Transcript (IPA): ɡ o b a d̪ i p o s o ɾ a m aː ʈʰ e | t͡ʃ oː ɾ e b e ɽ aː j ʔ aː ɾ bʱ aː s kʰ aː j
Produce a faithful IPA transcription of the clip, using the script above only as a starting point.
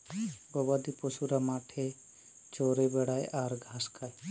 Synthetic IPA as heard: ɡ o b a d̪ i p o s u ɾ a m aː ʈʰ e | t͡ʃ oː ɾ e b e ɽ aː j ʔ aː ɾ ɡʱ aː s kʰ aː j